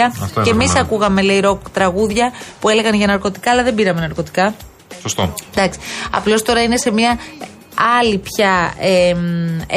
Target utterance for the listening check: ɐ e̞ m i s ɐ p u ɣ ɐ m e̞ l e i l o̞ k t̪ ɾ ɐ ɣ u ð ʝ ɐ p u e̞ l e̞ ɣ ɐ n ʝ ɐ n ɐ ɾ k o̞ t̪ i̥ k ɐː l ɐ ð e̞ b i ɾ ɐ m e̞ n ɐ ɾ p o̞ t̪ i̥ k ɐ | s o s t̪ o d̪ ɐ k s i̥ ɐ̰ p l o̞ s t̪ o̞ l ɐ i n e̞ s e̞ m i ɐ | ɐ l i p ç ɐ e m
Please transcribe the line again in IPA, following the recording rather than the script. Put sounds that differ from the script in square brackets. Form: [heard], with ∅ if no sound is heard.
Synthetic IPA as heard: ɐ e̞ m i s ɐ [k] u ɣ ɐ m e̞ l e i [ɾ] o̞ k t̪ ɾ ɐ ɣ u ð ʝ ɐ p u e̞ l e̞ ɣ ɐ n ʝ ɐ n ɐ ɾ k o̞ t̪ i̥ k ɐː l ɐ ð e̞ b i ɾ ɐ m e̞ n ɐ ɾ [k] o̞ t̪ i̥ k ɐ | s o s t̪ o d̪ ɐ k s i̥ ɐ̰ p l o̞ s t̪ o̞ [ɾ] ɐ i n e̞ s e̞ m i ɐ | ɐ l i p ç ɐ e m